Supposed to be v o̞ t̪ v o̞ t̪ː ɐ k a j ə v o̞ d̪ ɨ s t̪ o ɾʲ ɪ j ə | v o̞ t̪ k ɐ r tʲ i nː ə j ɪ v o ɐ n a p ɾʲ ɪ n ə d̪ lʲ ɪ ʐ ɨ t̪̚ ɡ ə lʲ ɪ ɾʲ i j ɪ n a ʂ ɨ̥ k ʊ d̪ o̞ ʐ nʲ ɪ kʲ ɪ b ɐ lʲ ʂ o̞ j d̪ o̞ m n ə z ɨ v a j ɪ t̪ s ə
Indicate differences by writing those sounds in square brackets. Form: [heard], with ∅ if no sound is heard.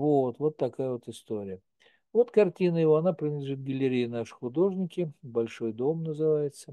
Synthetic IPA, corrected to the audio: v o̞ t̪ v o̞ t̪ː ɐ k a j ə v o̞ [t̪] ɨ s t̪ o ɾʲ ɪ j ə | v o̞ t̪ k ɐ r tʲ i [n] ə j ɪ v o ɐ n a p ɾʲ ɪ n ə d̪ lʲ ɪ ʐ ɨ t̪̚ ɡ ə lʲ ɪ ɾʲ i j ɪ n a ʂ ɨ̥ [x] ʊ d̪ o̞ ʐ nʲ ɪ kʲ ɪ b ɐ lʲ ʂ o̞ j d̪ o̞ m n ə z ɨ v a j ɪ t̪ s ə